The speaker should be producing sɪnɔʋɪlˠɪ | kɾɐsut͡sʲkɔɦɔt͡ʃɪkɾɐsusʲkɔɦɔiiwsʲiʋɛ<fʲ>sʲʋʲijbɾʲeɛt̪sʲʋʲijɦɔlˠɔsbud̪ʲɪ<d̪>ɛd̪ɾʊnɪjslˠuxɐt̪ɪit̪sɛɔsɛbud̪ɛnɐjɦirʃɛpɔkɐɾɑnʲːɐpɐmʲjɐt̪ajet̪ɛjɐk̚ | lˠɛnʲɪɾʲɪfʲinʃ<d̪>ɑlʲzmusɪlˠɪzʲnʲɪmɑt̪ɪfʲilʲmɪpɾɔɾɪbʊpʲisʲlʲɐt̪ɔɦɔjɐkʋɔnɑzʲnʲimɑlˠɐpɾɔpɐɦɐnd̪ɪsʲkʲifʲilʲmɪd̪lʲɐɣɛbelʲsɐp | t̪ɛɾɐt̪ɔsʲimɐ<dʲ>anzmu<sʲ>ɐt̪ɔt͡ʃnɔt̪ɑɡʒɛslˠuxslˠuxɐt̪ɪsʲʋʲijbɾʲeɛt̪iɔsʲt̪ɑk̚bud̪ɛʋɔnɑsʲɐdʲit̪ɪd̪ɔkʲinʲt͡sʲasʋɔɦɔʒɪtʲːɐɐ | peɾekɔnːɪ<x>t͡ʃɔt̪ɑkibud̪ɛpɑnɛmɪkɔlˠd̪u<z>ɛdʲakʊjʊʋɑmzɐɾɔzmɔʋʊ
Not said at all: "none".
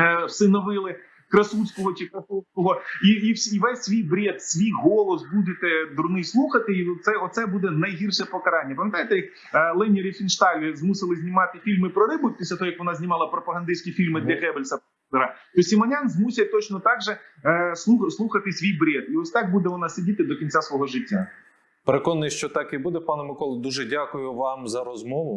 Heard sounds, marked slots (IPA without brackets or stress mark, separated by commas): sʲ, t̪, t̪, nʲ, sʲ, ʃ, ʒ